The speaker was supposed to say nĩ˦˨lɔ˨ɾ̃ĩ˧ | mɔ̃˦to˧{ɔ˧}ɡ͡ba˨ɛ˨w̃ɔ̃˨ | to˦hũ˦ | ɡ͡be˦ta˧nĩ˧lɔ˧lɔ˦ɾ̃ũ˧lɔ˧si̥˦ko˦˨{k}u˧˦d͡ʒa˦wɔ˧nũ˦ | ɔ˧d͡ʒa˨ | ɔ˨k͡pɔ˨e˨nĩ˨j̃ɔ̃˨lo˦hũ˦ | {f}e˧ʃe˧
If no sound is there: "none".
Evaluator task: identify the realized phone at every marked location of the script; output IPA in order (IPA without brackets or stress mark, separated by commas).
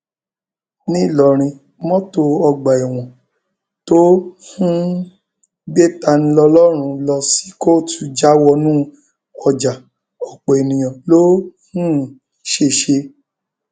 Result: ɔ˧, t, ʃ